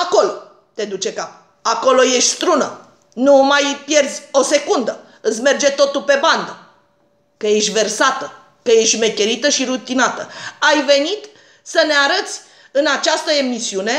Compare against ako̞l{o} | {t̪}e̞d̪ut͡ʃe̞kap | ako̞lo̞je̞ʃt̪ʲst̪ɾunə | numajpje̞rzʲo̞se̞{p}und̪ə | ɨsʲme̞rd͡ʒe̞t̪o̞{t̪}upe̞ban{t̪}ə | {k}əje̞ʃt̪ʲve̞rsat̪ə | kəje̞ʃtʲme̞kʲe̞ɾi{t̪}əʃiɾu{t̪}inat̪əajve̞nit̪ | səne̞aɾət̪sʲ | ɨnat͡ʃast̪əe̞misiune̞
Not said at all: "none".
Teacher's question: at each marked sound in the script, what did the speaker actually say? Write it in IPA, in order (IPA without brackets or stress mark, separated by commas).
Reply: o, t̪, k, t̪, d̪, k, t̪, t̪